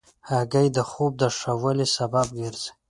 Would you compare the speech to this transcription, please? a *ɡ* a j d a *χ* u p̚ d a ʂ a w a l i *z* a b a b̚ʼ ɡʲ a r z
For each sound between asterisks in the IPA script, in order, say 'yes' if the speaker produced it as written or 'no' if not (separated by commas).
yes, yes, no